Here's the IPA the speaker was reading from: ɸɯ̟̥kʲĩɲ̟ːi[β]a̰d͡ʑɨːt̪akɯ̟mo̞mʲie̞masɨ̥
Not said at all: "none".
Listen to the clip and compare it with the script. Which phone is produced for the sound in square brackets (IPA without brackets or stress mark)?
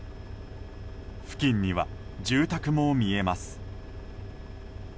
β